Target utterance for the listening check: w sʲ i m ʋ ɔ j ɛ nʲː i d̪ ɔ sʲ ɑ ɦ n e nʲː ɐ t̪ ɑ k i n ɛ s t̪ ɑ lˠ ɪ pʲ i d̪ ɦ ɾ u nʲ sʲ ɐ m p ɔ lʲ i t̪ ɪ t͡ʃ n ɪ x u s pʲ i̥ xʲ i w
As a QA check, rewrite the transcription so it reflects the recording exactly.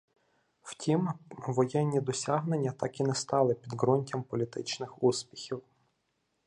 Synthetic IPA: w tʲ i m ʋ ɔ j ɛ nʲː i d̪ ɔ sʲ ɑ ɦ n e nʲː ɐ t̪ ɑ k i n ɛ s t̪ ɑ lˠ ɪ pʲ i d̪ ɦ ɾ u nʲ tʲ ɐ m p ɔ lʲ i t̪ ɪ t͡ʃ n ɪ x u s pʲ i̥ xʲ i w

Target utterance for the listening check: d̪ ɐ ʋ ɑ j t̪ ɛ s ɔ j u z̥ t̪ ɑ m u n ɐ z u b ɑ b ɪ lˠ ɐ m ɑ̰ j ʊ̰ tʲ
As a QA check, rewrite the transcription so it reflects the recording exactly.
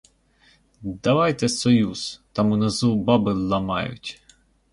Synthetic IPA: d̪ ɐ ʋ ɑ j t̪ ɛ s ɔ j u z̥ t̪ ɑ m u n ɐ z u b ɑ b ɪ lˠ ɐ m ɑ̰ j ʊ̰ tʲ

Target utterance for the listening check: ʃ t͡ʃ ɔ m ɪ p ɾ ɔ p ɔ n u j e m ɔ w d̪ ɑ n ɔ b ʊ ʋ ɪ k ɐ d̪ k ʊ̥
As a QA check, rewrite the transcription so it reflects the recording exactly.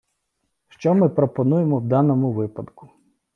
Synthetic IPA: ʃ t͡ʃ ɔ m ɪ p ɾ ɔ p ɔ n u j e m ɔ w d̪ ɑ n ɔ m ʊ ʋ ɪ p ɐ d̪ k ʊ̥

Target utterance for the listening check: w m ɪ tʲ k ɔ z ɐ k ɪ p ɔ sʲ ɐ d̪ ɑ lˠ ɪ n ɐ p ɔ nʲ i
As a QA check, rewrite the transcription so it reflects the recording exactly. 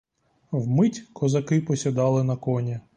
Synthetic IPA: w m ɪ tʲ k ɔ z ɐ k ɪ p ɔ sʲ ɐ d̪ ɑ lˠ ɪ n ɐ k ɔ nʲ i

